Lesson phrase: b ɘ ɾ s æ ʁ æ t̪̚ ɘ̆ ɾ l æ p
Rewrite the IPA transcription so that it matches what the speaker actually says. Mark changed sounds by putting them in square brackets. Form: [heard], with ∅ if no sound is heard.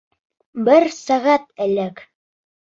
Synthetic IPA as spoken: b ɘ ɾ s æ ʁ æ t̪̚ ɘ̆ [∅] l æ [k]

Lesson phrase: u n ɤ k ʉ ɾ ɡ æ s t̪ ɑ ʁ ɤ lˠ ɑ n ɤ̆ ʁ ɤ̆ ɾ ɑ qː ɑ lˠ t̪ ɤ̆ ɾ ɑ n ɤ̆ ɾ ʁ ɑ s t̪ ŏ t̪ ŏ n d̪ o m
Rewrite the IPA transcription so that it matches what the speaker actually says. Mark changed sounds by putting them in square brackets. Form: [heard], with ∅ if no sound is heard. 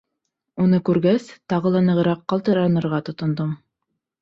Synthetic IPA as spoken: u n ɤ k ʉ ɾ ɡ æ s t̪ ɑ ʁ ɤ lˠ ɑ n ɤ̆ ʁ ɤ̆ ɾ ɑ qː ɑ lˠ t̪ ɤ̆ ɾ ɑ n ɤ̆ ɾ ʁ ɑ [∅] t̪ ŏ t̪ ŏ n d̪ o m

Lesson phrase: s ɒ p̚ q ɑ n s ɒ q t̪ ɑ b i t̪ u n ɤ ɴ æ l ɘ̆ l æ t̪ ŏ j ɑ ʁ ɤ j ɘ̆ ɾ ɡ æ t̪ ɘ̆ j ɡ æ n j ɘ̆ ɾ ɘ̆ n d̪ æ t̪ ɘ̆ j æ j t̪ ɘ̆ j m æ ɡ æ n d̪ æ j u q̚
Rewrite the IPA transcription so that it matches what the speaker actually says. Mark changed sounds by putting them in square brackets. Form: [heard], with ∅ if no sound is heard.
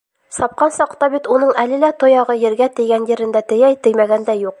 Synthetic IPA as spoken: s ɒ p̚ q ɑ n s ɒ q t̪ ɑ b i t̪ u n ɤ ɴ æ l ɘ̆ l æ t̪ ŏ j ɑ ʁ ɤ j ɘ̆ ɾ ɡ æ t̪ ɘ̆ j ɡ æ n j ɘ̆ ɾ ɘ̆ n d̪ æ t̪ ɘ̆ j æ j t̪ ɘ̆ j m æ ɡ æ n d̪ æ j u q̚

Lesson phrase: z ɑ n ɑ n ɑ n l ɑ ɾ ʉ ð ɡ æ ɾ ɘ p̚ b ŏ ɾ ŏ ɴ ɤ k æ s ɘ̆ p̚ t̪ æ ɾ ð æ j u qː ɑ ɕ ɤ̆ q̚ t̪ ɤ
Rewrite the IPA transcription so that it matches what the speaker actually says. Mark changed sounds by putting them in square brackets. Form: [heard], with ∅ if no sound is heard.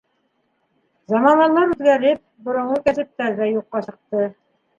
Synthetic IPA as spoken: z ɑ [m] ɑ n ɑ n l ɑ ɾ ʉ ð ɡ æ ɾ ɘ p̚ b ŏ ɾ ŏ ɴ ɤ k æ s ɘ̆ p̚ t̪ æ ɾ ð æ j u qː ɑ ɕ ɤ̆ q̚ t̪ ɤ

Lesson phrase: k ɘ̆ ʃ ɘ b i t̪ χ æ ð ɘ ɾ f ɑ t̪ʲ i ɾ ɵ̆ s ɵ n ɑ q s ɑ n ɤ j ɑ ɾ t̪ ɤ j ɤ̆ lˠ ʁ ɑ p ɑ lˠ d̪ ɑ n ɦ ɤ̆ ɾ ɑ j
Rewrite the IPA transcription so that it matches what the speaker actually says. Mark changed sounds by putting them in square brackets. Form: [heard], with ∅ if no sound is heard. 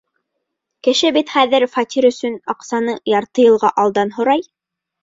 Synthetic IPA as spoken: k ɘ̆ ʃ ɘ b i t̪ χ æ ð ɘ ɾ f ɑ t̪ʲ i ɾ ɵ̆ s ɵ n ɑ q s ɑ n ɤ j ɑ ɾ t̪ ɤ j ɤ̆ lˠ ʁ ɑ [ʔ] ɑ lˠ d̪ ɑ n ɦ [ŏ] ɾ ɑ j

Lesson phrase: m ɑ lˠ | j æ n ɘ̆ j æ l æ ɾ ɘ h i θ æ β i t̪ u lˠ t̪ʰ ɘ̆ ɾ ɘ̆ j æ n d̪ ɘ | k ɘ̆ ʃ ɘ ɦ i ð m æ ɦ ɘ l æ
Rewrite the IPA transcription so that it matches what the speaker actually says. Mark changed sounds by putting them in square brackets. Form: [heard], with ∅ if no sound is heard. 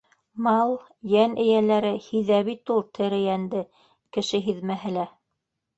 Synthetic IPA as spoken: m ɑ lˠ | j æ n ɘ̆ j æ l æ ɾ ɘ h i [ð] æ β i t̪ u lˠ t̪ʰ ɘ̆ ɾ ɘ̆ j æ n d̪ ɘ | k ɘ̆ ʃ ɘ ɦ i ð m æ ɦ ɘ l æ

